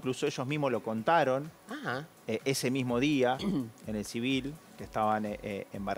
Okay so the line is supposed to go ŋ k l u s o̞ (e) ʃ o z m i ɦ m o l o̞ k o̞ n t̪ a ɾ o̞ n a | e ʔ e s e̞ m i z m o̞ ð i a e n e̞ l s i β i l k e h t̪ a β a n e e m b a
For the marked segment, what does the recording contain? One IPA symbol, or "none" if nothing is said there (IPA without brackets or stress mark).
e